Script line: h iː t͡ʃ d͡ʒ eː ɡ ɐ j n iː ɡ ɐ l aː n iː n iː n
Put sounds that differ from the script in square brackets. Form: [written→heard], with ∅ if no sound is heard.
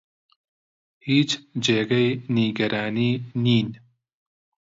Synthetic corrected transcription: h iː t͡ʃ d͡ʒ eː ɡ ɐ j n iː ɡ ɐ [l→ɾ] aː n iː n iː n